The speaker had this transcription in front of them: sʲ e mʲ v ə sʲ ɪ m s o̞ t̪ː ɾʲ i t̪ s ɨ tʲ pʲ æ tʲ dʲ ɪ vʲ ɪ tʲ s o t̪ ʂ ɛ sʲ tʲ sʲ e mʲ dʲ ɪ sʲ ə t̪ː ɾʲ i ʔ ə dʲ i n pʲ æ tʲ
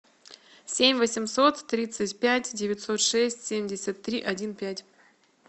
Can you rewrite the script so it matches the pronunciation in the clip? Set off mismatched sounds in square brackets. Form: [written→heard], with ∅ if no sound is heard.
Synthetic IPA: sʲ e mʲ v ə sʲ ɪ m s o̞ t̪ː ɾʲ i t̪ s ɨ tʲ pʲ æ tʲ dʲ ɪ vʲ ɪ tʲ s o t̪ ʂ ɛ sʲ tʲ sʲ e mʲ dʲ ɪ sʲ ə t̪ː ɾʲ i ʔ [ə→ɐ] dʲ i n pʲ æ tʲ